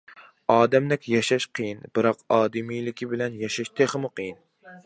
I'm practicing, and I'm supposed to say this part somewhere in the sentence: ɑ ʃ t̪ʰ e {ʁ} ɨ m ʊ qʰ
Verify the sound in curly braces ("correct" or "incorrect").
incorrect